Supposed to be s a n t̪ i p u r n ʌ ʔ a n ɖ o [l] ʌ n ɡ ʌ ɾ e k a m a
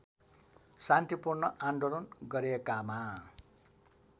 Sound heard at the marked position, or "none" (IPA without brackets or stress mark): l